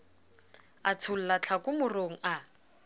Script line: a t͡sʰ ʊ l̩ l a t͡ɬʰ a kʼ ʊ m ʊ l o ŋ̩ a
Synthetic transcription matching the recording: a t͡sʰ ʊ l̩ l a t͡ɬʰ a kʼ ʊ m ʊ r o ŋ̩ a